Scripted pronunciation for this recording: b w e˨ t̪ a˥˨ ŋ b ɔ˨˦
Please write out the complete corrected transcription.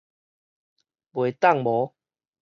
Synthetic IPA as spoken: b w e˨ t̪ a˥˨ ŋ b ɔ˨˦

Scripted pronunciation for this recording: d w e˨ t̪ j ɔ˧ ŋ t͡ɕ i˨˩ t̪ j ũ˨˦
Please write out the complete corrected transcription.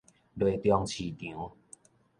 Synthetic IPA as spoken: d w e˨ t̪ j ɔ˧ ŋ t͡ɕʰ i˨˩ t̪ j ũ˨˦

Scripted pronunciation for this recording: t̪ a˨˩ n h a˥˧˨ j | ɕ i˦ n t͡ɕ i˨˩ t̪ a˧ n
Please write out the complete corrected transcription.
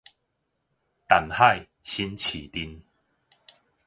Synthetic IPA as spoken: t̪ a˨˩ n h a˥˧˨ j | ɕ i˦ n t͡ɕʰ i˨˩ t̪ i˧ n

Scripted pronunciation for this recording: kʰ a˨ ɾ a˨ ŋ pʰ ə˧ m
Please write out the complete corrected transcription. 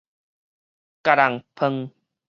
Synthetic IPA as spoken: k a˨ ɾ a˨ ŋ pʰ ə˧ ŋ

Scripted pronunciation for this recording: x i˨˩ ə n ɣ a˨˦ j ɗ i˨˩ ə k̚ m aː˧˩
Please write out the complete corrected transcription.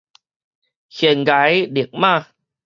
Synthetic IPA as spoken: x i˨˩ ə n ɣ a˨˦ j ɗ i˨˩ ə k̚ m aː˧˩

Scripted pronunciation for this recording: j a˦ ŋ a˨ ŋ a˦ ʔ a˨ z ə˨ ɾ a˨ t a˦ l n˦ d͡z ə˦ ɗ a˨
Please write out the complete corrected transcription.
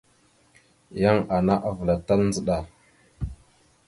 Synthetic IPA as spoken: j a˦ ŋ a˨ n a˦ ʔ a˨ v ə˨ l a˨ t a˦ l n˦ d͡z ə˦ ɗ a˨

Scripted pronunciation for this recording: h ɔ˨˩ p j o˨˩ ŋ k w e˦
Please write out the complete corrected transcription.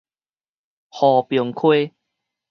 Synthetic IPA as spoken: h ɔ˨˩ p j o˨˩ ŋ kʰ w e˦

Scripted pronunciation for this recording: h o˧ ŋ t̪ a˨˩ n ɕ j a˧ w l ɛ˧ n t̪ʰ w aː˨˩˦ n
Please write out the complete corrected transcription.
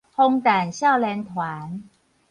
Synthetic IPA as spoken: h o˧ ŋ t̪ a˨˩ n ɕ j a˥˩ w l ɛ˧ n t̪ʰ w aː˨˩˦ n

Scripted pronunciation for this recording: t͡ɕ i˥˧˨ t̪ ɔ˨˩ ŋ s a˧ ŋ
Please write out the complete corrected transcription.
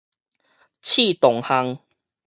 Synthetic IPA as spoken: t͡ɕʰ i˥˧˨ t̪ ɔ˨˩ ŋ h a˧ ŋ

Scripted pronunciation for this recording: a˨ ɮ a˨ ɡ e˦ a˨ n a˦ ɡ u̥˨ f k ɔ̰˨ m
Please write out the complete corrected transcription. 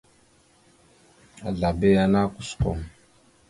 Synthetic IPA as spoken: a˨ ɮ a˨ b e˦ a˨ n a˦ k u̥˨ s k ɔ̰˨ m

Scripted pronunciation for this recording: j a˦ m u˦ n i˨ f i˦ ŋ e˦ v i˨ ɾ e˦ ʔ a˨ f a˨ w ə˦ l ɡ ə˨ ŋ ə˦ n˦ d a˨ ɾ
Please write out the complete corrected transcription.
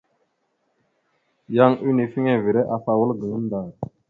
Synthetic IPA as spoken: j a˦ ŋ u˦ n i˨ f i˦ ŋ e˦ v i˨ ɾ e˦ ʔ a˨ f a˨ w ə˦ l ɡ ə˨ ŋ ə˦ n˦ d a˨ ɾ

